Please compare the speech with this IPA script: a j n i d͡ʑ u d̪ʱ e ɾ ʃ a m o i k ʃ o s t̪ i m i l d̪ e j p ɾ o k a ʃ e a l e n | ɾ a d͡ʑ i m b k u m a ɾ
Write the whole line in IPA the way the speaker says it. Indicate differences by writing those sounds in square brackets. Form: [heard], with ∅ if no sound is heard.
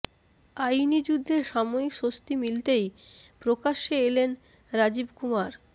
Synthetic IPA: a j n i d͡ʑ u [d̪ʱː] e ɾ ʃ a m o i k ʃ o s t̪ i m i l [t̪] e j p ɾ o k a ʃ e [e] l e n | ɾ a d͡ʑ i [∅] b k u m a ɾ